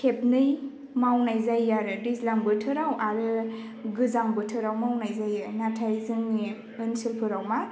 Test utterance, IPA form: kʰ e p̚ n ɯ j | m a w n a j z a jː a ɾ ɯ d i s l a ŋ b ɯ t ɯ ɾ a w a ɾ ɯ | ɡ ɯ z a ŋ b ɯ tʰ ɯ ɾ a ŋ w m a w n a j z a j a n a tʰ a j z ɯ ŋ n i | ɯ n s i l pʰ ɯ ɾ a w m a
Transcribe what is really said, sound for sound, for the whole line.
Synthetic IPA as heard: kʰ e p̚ n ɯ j | m a w n a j z a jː a ɾ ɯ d i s l a ŋ b ɯ tʰ ɯ ɾ a w a ɾ ɯ | ɡ ɯ z a ŋ b ɯ tʰ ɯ ɾ a w m a w n a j z a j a n a tʰ a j z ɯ ŋ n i | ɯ n s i l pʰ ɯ ɾ a w m a